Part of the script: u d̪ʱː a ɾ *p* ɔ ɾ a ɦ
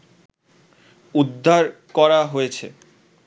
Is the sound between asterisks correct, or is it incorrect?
incorrect